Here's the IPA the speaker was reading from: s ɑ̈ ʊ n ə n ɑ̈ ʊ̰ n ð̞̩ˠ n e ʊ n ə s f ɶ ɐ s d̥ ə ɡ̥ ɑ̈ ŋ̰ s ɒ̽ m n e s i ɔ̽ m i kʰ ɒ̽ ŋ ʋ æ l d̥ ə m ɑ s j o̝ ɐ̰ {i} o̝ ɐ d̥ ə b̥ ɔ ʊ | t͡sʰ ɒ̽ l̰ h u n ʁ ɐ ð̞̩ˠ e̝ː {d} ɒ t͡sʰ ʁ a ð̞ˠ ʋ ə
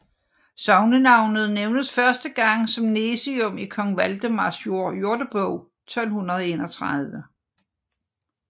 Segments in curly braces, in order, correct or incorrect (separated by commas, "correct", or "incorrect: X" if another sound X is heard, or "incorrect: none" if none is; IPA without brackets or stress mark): incorrect: j, incorrect: n